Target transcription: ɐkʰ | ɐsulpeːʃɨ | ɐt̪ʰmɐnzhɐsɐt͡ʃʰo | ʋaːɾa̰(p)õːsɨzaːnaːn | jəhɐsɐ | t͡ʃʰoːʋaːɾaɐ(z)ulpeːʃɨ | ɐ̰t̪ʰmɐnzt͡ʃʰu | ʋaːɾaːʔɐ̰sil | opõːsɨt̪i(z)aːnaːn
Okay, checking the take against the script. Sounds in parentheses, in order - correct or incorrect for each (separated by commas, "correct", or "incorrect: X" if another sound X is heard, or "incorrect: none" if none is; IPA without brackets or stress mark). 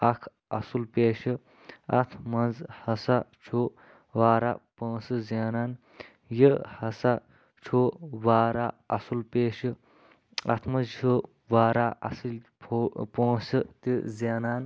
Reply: correct, incorrect: s, correct